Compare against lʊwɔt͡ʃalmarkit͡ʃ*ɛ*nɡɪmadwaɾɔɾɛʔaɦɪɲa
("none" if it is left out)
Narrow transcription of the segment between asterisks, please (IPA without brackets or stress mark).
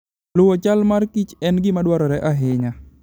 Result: ɛ